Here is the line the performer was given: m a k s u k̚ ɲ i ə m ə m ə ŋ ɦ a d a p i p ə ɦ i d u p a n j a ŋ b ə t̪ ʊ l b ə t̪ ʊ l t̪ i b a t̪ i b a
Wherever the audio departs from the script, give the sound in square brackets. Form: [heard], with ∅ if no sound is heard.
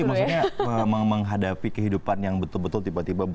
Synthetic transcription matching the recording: m a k s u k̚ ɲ [a] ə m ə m ə ŋ ɦ a d a p i [k] ə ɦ i d u p a n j a ŋ b ə t̪ ʊ l b ə t̪ ʊ l t̪ i b a t̪ i b a